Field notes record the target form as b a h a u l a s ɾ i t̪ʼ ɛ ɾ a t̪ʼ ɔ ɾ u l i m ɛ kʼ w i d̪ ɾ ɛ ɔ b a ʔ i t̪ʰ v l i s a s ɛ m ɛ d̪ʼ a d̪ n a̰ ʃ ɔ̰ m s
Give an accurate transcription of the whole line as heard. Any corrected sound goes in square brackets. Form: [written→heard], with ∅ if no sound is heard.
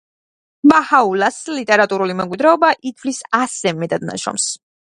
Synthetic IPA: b a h a u l a s [ɾ→l] i t̪ʼ ɛ ɾ a t̪ʼ [ɔ→u] ɾ u l i m ɛ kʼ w i d̪ ɾ ɛ ɔ b a ʔ i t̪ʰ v l i s a s ɛ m ɛ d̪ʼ a d̪ n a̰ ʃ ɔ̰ m s